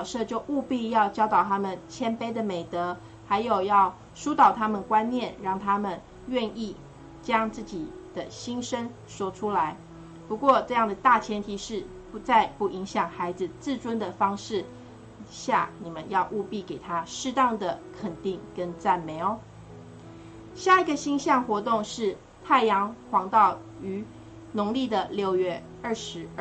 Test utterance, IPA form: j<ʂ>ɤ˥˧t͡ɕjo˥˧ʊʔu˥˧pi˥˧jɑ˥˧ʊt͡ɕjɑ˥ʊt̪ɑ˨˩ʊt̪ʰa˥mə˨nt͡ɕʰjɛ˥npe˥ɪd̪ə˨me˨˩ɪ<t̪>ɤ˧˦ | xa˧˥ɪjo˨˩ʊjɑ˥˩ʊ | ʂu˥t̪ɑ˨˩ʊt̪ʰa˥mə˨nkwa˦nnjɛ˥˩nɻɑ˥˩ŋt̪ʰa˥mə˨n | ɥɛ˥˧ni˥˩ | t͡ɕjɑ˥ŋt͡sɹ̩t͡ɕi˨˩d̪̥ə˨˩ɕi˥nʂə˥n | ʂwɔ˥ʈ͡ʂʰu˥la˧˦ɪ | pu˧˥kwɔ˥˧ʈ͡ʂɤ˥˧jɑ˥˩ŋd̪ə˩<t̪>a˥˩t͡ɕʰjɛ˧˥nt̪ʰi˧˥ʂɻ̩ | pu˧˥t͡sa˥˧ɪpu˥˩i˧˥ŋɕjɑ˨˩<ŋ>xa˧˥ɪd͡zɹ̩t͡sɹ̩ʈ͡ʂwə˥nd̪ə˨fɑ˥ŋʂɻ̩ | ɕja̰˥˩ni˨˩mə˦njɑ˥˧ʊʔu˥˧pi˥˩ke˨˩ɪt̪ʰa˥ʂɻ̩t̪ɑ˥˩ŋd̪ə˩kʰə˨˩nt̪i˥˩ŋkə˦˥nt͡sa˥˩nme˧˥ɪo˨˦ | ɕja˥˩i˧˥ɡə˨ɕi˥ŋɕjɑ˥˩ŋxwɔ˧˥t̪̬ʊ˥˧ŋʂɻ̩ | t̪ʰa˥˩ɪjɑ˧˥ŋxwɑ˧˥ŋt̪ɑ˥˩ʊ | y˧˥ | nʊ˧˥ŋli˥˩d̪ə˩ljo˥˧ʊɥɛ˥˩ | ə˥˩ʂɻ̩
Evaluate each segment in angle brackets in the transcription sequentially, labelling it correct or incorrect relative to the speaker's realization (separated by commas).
correct, correct, correct, correct